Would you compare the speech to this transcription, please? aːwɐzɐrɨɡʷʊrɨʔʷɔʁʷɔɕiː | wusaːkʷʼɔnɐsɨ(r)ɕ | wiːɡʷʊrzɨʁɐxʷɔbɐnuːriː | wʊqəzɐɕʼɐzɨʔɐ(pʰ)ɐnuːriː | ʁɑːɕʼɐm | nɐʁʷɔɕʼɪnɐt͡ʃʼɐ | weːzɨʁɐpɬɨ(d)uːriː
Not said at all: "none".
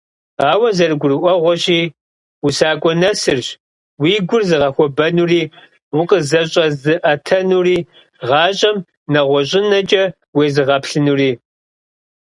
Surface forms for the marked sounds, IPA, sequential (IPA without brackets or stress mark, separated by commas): r, tʰ, n